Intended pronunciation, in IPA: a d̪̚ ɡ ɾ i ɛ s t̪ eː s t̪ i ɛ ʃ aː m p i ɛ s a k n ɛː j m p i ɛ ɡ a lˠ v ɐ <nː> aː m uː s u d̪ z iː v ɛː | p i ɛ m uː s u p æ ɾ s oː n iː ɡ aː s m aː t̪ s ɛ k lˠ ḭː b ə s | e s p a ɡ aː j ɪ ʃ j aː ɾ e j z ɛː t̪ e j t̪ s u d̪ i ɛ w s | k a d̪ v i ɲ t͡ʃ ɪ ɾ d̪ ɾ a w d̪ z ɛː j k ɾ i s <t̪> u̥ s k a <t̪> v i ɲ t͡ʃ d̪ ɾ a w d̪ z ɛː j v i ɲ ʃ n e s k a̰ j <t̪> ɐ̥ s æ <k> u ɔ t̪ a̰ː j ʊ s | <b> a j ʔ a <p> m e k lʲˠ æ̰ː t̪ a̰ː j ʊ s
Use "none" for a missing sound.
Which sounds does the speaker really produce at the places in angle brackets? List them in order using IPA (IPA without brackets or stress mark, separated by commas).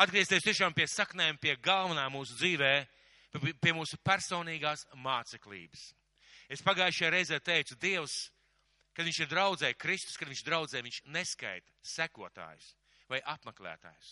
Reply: n, t̪, d̪, t̪, k, v, p